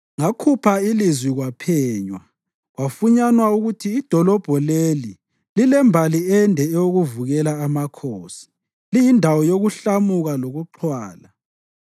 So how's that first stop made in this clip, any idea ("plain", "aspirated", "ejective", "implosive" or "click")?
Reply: aspirated